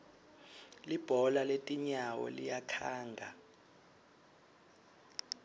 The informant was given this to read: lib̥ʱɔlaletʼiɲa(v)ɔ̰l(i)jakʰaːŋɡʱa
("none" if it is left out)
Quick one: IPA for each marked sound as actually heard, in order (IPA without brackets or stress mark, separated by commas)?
w, i